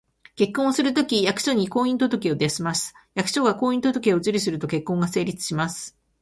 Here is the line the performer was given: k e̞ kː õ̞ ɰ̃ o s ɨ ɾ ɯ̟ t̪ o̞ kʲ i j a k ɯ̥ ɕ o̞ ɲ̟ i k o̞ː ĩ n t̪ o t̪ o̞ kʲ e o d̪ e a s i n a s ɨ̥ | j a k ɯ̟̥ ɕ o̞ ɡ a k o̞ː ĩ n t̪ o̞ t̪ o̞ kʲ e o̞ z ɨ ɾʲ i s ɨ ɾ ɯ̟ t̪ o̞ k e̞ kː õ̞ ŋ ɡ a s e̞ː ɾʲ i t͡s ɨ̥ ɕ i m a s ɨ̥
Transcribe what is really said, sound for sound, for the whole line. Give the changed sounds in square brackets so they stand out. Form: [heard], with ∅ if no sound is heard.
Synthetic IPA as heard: k e̞ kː õ̞ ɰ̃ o s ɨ ɾ ɯ̟ t̪ o̞ kʲ i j a k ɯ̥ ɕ o̞ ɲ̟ i k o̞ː ĩ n t̪ o t̪ o̞ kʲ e o d̪ e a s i [m] a s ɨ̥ | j a k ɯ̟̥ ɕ o̞ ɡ a k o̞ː ĩ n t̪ o̞ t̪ o̞ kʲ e o̞ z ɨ ɾʲ i s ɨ ɾ ɯ̟ t̪ o̞ k e̞ kː õ̞ ŋ ɡ a s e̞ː ɾʲ i t͡s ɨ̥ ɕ i m a s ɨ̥